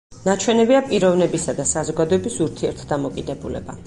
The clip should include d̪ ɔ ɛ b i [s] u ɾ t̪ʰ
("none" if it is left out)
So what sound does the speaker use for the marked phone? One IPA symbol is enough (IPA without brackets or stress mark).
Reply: s